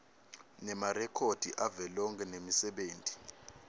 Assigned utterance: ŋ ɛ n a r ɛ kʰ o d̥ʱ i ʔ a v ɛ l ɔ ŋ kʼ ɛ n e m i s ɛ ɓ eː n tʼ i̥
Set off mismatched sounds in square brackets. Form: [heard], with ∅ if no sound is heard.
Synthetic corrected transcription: [n] ɛ [m] a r ɛ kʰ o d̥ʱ i ʔ a v ɛ l ɔ ŋ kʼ ɛ n e m i s ɛ ɓ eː n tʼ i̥